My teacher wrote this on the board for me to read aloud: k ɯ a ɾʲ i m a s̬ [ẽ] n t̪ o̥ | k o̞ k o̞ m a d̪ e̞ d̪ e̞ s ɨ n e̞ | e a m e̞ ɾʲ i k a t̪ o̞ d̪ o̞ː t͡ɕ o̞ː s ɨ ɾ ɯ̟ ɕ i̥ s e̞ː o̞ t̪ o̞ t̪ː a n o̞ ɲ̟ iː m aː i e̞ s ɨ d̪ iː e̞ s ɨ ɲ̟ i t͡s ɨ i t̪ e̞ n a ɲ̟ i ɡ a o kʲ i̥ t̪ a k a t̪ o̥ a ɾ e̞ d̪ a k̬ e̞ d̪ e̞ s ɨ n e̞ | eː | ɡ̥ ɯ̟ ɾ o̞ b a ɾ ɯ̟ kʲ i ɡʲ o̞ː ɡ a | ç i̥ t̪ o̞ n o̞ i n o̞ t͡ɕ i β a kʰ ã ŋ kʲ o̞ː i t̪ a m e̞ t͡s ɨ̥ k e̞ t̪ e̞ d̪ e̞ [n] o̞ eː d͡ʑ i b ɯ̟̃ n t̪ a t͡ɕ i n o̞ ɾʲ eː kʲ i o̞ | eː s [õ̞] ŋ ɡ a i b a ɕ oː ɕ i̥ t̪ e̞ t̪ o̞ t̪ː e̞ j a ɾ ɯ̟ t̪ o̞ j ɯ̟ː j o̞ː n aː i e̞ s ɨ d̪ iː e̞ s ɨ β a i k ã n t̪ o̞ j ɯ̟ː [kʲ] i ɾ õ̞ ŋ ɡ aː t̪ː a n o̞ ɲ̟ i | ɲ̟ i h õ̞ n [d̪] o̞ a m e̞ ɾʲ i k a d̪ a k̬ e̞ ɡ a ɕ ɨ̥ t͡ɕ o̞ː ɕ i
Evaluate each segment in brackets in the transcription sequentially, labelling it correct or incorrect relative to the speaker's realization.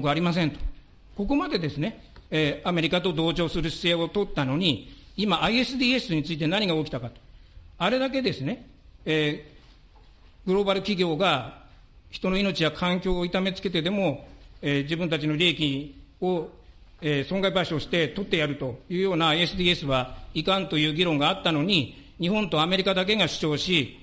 correct, incorrect: m, correct, incorrect: ɡʲ, incorrect: t̪

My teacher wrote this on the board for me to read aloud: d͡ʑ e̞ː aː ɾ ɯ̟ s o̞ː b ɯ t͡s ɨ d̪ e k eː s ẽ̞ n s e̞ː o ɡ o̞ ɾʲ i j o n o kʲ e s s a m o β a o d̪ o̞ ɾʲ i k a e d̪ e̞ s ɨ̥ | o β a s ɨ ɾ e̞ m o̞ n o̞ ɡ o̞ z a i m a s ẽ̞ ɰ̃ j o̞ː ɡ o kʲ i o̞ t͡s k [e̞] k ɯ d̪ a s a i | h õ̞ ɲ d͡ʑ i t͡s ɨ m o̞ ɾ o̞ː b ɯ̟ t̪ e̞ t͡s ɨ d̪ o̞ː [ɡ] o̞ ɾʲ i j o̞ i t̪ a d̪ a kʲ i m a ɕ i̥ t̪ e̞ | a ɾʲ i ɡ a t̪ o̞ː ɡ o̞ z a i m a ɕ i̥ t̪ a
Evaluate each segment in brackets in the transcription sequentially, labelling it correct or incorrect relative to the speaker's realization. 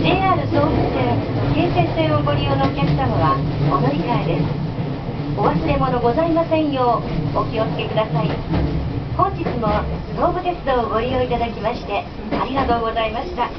correct, correct

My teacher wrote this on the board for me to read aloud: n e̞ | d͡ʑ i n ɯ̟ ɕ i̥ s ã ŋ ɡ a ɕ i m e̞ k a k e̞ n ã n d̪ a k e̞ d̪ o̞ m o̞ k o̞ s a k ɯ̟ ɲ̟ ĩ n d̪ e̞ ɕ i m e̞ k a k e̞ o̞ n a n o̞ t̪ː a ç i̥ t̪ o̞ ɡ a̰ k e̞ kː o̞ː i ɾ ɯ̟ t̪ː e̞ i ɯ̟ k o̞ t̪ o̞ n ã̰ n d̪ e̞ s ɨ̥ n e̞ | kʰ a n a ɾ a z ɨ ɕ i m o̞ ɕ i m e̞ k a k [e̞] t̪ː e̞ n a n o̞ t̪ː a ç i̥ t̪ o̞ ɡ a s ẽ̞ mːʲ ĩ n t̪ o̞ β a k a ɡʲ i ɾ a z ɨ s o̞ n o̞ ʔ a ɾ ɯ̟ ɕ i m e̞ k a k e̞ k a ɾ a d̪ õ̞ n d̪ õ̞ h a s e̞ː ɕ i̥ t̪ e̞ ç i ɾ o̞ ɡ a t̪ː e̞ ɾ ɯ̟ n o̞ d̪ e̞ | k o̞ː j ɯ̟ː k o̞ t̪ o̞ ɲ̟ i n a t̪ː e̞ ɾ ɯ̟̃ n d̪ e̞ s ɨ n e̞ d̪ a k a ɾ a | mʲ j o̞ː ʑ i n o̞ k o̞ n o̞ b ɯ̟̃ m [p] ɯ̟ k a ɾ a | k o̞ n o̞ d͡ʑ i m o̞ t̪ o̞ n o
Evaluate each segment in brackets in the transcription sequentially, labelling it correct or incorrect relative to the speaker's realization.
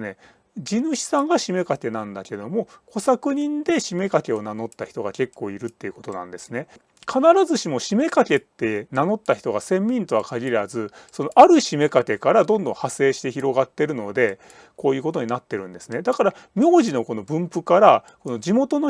correct, correct

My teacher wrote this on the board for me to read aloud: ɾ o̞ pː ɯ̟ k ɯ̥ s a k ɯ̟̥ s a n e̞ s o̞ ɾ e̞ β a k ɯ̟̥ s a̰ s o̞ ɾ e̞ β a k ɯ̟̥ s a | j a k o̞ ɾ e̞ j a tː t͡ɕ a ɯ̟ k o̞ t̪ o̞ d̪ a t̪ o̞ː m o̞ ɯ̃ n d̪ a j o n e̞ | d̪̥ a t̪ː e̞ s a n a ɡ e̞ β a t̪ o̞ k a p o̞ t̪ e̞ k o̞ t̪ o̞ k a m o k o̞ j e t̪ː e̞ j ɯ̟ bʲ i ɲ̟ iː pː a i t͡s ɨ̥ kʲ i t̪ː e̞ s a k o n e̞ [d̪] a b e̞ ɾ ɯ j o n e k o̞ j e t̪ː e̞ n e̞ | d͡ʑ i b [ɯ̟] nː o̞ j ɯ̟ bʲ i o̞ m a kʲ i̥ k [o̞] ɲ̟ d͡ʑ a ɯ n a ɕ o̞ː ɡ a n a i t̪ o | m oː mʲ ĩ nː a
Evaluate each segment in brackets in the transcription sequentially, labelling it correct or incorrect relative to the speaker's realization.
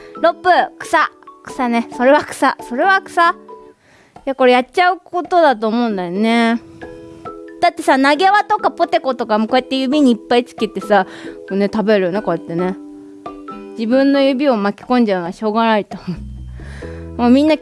incorrect: t̪, incorrect: ɯ̟̃, incorrect: õ̞

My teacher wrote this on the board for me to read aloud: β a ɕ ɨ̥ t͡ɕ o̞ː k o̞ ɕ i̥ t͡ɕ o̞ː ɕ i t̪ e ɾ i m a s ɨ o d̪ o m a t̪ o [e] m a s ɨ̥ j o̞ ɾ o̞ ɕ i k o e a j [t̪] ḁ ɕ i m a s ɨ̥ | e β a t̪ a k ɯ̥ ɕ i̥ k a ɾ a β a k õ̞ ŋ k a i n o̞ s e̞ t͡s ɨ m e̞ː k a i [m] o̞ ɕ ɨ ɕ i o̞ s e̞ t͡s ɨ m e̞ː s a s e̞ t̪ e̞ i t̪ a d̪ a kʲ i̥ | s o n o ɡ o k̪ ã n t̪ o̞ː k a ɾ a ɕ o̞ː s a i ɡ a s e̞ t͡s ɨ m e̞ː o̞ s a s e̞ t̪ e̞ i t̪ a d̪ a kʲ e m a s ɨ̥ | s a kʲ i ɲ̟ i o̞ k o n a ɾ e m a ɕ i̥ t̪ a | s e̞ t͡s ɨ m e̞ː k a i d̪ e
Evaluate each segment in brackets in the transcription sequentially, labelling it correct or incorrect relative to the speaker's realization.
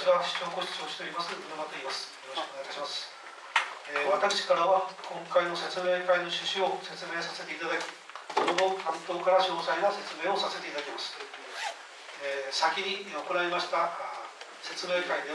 incorrect: i, correct, incorrect: n

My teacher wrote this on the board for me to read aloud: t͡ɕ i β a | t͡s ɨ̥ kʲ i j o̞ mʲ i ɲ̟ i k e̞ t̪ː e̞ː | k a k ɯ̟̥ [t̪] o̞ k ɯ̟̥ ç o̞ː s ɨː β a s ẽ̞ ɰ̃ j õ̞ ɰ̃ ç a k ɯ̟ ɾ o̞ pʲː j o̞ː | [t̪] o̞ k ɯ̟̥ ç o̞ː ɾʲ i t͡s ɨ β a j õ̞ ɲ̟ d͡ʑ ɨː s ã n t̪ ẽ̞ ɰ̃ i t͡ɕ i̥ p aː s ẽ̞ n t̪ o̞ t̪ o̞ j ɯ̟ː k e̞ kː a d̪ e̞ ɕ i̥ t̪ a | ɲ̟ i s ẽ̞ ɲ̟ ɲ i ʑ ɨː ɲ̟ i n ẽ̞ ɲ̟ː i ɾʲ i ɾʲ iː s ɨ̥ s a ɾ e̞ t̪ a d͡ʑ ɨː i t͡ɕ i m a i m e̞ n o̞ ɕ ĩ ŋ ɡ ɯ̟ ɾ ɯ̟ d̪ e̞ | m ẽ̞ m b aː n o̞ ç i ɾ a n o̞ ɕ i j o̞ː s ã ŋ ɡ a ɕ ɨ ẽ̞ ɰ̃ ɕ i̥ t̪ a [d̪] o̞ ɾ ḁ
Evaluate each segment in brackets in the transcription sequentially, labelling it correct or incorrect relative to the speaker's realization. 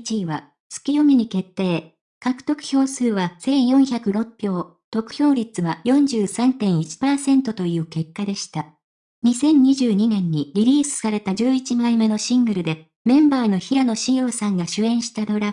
correct, correct, correct

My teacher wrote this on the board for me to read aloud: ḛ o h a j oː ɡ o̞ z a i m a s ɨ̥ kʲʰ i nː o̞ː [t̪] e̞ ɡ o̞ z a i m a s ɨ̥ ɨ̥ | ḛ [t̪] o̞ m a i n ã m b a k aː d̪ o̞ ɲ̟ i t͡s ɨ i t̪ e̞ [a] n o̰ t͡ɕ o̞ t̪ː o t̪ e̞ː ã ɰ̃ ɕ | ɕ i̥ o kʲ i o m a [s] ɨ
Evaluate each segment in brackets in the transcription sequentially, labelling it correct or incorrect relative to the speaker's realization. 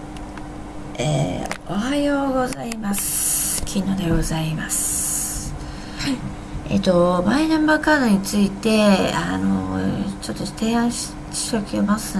incorrect: d̪, correct, correct, correct

